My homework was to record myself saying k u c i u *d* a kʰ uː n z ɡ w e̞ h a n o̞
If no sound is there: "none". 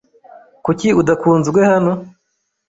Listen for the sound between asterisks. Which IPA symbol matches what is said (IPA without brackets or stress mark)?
d